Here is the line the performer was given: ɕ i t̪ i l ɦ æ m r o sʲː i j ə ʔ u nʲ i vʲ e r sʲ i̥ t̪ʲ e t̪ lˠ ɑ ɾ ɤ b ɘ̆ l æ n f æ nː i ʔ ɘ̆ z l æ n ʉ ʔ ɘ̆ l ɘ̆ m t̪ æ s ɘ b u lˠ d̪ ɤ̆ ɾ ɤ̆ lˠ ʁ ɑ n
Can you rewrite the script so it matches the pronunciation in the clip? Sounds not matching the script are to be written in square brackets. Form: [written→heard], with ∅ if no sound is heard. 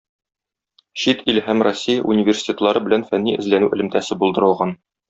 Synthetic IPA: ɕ i t̪ i l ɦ æ m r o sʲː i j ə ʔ u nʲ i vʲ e r sʲ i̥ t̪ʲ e t̪ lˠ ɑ ɾ ɤ b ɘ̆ l æ n f æ nː i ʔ ɘ̆ z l æ n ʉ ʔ ɘ̆ l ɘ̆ m t̪ æ s ɘ b u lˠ d̪ ɤ̆ ɾ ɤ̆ lˠ ʁ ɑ n